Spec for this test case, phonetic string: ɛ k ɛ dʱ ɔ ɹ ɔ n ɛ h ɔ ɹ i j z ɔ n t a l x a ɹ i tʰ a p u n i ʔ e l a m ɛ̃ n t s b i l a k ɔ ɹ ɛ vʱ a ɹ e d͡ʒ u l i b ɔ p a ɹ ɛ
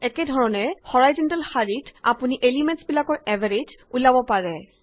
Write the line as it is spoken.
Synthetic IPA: ɛ k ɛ dʱ ɔ ɹ ɔ n ɛ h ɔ ɹ a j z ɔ n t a l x a ɹ i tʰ a p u n i ʔ e l i m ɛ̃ n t s b i l a k ɔ ɹ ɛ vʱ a ɹ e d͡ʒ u l a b ɔ p a ɹ ɛ